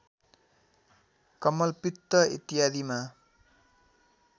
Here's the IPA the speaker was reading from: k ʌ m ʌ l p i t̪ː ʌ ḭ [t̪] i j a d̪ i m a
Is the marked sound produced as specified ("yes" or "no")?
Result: yes